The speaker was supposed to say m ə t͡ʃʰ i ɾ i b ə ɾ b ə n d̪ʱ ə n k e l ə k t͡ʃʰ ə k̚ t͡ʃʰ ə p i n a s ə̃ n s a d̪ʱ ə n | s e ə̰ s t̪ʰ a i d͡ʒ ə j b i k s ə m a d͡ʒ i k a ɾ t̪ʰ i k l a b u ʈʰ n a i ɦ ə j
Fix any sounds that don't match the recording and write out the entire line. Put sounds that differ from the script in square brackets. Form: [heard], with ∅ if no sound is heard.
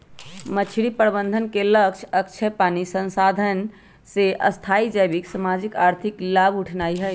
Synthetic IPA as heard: m ə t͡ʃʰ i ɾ i [p] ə ɾ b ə n d̪ʱ ə n k e l ə k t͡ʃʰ ə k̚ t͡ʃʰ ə p [a] n [i] s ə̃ n s a d̪ʱ ə n | s e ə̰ s t̪ʰ a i d͡ʒ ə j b i k s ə m a d͡ʒ i k a ɾ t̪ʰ i k l a b u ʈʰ n a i ɦ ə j